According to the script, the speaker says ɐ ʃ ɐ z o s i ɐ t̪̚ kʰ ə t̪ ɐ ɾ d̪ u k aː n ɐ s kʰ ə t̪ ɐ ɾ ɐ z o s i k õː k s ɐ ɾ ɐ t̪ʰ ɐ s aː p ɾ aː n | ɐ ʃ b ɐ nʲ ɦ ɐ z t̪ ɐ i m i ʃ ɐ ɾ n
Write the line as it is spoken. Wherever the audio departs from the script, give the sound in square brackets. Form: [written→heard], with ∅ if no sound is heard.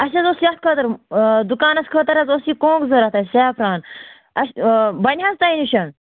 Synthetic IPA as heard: ɐ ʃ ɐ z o s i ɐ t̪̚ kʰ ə t̪ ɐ ɾ d̪ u k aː n ɐ s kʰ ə t̪ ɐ ɾ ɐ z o s i k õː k [s→z] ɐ ɾ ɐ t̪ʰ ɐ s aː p ɾ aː n | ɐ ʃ b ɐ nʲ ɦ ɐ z t̪ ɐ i [m→n] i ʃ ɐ [ɾ→∅] n